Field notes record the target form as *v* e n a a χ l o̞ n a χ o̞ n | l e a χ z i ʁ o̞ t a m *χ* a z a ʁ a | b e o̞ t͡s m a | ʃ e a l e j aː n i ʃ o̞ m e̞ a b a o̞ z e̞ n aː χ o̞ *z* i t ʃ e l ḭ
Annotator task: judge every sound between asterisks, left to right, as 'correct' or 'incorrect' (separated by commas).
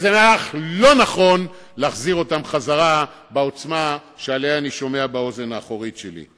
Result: incorrect, correct, incorrect